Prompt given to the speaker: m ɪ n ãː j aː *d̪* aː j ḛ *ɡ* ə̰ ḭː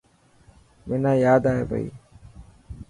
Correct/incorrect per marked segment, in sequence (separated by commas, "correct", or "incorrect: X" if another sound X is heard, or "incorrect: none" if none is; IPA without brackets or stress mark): correct, incorrect: b